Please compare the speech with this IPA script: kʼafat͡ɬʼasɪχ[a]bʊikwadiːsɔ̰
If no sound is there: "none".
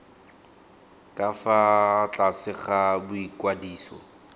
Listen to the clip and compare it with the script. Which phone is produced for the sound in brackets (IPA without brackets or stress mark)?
a